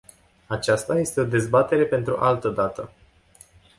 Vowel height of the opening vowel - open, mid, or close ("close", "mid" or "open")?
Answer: open